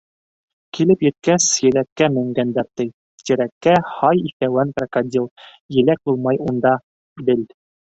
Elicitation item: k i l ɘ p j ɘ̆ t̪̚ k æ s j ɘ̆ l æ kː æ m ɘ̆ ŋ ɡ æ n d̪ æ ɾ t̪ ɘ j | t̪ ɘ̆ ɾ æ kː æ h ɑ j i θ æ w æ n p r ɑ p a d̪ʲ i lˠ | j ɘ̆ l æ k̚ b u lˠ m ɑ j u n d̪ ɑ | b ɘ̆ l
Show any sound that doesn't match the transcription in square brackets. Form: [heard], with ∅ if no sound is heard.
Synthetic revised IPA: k i l ɘ p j ɘ̆ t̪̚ k æ s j ɘ̆ l æ kː æ m ɘ̆ ŋ ɡ æ n d̪ æ ɾ t̪ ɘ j | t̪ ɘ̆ ɾ æ kː æ h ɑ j i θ æ w æ n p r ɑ [k] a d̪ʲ i lˠ | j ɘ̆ l æ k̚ b u lˠ m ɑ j u n d̪ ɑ | b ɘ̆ l